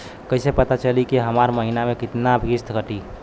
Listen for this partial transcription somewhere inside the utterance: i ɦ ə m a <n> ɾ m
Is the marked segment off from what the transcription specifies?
yes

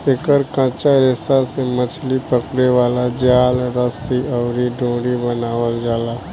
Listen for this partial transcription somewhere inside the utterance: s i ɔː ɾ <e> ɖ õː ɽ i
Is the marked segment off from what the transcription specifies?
yes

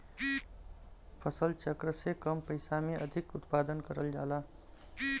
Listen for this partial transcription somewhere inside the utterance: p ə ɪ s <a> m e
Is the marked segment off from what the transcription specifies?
no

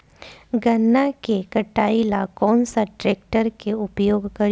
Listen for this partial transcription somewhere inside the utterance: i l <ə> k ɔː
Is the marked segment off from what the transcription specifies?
yes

